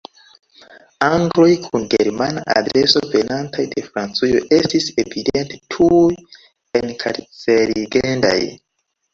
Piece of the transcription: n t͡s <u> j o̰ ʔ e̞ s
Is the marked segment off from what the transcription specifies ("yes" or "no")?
no